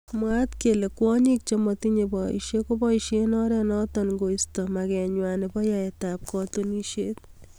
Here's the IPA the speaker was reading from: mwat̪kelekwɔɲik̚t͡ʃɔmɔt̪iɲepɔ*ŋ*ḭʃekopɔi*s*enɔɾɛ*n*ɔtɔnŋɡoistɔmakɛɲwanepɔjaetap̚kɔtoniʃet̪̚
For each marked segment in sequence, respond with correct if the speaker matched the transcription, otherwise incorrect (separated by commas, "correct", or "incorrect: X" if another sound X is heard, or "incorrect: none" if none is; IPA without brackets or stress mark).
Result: incorrect: none, incorrect: ʃ, correct